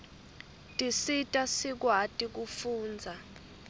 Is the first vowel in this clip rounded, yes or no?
no